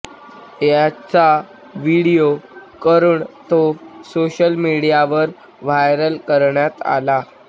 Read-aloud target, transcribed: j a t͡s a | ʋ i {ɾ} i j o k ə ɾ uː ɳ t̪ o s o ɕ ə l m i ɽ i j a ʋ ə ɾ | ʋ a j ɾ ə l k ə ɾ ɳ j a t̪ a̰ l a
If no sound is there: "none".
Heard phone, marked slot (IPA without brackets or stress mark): ɽ